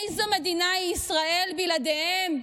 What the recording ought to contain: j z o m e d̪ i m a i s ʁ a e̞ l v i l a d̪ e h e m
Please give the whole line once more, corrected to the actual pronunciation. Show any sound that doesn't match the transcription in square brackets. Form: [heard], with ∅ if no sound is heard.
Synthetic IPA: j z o m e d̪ i [n] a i s ʁ a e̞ l [b] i l a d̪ e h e m